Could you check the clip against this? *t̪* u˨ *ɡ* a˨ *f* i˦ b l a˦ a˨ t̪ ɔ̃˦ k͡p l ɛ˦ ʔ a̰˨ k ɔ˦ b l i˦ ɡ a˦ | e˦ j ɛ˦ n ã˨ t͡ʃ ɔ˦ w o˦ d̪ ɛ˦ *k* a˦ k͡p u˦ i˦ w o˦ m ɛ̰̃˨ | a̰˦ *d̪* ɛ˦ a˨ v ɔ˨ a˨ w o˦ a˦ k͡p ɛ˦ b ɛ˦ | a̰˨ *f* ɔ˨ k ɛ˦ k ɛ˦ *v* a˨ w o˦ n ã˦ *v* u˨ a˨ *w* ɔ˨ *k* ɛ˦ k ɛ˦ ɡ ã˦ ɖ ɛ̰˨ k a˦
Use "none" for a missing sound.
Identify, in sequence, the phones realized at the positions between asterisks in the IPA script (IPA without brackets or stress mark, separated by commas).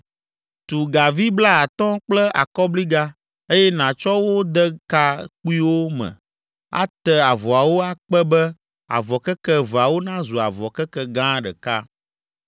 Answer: t̪, ɡ, v, k, t̪, v, v, z, v, k